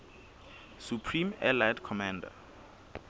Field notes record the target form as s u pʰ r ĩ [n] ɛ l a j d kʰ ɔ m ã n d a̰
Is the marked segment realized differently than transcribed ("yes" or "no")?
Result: yes